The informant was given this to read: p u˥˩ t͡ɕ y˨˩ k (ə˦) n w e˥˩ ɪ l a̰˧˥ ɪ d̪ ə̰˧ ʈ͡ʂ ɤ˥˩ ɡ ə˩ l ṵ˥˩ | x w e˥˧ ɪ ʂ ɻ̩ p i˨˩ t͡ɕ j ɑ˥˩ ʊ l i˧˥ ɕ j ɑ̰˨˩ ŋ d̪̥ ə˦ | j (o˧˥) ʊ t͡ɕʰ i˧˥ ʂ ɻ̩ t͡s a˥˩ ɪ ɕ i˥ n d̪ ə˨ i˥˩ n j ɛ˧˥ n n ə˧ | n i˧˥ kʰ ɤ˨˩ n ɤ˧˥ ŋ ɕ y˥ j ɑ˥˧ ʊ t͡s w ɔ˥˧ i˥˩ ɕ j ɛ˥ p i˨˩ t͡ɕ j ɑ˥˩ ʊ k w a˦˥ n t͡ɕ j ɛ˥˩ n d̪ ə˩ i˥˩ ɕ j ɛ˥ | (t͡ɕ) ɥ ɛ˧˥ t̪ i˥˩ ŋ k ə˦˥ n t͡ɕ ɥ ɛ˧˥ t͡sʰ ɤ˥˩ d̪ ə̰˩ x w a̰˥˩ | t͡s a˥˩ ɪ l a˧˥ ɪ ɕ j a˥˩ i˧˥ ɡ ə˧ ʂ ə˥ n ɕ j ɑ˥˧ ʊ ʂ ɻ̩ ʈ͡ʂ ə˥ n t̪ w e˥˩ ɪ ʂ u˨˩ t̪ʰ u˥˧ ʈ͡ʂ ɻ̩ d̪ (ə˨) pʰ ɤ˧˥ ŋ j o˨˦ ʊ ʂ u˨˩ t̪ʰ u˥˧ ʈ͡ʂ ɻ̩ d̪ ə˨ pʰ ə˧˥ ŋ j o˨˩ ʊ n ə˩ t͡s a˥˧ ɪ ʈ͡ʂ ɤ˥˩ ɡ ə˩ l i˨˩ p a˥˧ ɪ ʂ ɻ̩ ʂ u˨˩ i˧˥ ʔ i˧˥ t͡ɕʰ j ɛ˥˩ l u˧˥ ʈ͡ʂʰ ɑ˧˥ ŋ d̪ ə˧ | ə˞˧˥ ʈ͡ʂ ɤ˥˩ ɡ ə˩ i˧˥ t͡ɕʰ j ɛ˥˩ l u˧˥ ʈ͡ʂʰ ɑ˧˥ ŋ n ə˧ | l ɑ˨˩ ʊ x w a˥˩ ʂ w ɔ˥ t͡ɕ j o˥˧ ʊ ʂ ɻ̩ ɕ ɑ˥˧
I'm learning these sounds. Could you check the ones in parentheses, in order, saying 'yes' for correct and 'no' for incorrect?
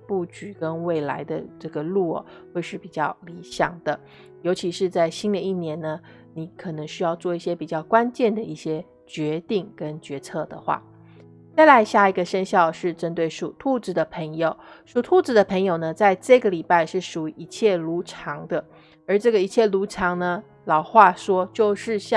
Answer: yes, yes, yes, yes

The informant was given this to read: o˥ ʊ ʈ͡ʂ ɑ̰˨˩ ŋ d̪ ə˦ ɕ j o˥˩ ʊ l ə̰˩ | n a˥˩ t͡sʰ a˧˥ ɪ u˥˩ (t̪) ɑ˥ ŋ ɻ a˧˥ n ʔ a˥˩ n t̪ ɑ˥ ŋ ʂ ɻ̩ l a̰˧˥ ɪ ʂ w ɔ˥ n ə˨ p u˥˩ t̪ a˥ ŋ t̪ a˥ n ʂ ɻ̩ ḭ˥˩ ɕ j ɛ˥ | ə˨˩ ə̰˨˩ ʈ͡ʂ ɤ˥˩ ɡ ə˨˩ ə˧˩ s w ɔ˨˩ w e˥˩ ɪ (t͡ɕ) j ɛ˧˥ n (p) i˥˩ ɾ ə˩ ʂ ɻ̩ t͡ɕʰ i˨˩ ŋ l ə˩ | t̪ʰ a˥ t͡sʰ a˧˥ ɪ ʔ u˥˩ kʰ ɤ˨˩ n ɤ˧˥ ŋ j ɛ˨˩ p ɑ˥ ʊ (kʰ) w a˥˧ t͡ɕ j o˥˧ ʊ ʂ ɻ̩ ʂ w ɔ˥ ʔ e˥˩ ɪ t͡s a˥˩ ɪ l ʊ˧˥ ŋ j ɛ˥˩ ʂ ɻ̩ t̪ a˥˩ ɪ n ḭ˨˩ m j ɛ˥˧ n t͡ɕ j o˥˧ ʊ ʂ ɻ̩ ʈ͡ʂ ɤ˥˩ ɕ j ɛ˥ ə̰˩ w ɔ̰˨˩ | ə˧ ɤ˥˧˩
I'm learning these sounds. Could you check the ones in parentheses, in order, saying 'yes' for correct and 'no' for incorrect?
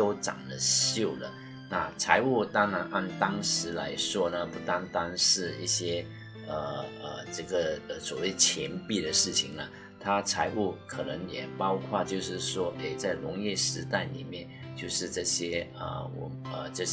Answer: yes, no, yes, yes

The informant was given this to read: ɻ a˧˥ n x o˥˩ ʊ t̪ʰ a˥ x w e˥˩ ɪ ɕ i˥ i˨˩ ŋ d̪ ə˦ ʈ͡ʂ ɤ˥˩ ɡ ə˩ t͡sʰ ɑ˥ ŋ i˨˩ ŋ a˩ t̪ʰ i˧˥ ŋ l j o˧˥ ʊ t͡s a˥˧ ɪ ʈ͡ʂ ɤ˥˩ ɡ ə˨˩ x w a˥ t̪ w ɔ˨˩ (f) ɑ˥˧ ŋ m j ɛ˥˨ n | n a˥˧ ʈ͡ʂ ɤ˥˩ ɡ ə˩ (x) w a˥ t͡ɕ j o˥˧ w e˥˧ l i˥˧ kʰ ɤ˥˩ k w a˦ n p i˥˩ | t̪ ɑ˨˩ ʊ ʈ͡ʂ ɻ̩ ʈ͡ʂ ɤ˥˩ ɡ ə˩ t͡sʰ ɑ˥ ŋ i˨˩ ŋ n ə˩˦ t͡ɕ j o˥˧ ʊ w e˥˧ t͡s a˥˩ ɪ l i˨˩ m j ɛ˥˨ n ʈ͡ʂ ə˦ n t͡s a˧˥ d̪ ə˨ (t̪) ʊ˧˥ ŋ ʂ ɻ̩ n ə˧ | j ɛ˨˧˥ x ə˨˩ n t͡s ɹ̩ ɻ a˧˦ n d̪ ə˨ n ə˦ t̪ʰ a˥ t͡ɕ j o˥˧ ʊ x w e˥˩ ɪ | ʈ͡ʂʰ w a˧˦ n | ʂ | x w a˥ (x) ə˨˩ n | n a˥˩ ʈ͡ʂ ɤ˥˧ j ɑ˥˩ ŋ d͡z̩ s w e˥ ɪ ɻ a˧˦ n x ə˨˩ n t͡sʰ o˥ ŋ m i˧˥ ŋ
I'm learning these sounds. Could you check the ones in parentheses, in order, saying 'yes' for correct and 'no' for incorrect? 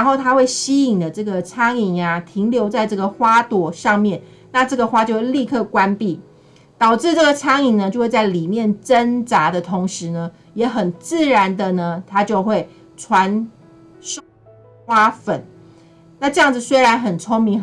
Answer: no, yes, no, no

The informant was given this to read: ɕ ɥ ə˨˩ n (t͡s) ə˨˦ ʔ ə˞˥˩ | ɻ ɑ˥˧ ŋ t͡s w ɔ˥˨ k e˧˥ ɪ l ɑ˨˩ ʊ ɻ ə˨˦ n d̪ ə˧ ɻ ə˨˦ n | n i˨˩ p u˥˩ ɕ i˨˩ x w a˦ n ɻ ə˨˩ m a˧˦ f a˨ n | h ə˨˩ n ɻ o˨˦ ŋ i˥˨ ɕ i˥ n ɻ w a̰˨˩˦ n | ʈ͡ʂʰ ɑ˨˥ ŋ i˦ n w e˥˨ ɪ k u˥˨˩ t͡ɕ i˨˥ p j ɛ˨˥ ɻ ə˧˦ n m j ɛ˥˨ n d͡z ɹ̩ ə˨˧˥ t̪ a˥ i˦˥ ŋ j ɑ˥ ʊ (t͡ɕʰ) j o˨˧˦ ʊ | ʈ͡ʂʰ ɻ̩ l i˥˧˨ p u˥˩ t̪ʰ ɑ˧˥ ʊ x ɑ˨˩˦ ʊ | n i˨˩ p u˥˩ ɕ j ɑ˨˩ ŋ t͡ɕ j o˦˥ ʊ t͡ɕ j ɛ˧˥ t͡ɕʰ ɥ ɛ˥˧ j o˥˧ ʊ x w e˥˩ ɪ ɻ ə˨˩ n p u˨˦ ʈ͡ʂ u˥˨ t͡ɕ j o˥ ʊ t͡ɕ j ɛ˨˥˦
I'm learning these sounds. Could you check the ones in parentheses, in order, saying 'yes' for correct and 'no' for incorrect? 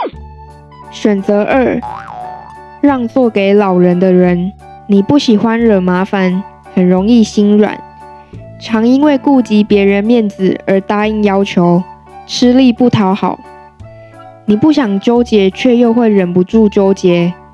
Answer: yes, yes

